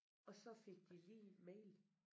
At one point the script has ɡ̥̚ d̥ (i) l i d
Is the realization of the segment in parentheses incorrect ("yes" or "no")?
no